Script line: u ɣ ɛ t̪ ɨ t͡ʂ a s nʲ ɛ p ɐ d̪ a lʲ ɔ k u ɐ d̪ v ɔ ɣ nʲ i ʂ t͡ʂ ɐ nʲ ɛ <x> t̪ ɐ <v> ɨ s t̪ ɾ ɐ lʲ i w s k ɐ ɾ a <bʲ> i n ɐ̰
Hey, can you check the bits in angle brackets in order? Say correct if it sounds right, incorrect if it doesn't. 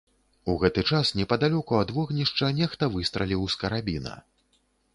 correct, correct, correct

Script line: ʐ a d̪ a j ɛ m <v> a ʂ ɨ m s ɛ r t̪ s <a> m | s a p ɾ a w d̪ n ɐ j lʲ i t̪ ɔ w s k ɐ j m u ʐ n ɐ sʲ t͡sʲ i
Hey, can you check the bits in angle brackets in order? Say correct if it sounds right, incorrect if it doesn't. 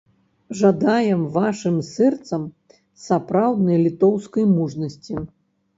correct, incorrect

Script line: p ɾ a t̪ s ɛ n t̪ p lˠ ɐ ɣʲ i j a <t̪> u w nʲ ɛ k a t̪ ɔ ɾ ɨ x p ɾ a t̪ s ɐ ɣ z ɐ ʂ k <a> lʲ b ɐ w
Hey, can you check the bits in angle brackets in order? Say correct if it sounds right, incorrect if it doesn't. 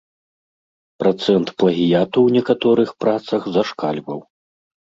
correct, correct

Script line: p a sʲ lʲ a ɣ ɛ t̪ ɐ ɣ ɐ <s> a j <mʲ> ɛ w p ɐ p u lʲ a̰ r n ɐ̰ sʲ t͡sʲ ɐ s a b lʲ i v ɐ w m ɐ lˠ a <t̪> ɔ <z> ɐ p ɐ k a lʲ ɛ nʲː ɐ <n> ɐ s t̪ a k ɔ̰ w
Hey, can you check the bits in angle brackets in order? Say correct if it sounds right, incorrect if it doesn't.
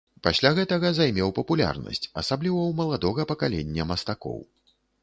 incorrect, correct, incorrect, incorrect, incorrect

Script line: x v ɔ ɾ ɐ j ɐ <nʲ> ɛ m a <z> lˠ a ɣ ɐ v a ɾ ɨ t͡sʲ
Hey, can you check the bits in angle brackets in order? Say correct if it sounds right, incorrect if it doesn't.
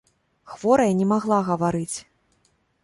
correct, incorrect

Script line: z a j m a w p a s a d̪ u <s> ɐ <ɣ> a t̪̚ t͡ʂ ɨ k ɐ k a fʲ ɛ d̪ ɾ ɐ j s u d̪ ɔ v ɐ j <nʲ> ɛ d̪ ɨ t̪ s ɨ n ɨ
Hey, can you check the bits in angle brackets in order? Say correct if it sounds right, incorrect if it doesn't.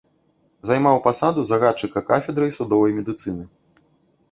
incorrect, correct, incorrect

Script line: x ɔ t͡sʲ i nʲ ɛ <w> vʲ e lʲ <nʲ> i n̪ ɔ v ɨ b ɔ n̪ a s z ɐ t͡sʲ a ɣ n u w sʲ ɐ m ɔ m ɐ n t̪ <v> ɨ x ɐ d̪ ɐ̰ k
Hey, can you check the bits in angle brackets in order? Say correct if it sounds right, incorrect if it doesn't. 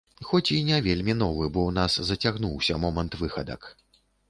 incorrect, incorrect, correct

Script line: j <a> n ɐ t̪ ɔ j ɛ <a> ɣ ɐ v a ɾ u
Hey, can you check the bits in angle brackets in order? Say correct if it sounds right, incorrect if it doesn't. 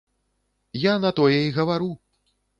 correct, incorrect

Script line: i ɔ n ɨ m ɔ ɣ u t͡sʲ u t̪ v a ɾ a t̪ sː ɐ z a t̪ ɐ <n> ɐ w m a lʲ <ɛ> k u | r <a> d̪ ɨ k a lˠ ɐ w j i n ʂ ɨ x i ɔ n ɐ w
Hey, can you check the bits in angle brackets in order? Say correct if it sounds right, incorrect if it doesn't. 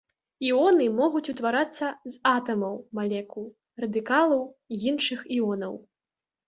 incorrect, correct, incorrect

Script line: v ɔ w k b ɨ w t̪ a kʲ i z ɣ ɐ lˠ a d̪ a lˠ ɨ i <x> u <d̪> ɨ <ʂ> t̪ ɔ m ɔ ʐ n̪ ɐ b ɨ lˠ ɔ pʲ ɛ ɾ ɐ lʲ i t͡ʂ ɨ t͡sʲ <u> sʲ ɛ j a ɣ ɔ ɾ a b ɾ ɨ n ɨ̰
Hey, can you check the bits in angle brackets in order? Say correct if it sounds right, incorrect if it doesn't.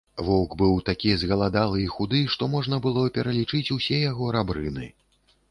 correct, correct, correct, correct

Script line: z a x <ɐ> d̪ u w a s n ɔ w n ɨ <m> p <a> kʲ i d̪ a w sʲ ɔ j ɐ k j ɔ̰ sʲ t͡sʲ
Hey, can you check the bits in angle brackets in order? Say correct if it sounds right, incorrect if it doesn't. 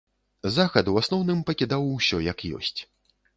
correct, correct, incorrect

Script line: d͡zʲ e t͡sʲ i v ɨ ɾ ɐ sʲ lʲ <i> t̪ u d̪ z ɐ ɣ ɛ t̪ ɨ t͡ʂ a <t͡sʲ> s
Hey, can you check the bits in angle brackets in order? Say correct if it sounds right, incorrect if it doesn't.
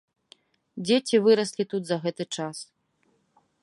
correct, incorrect

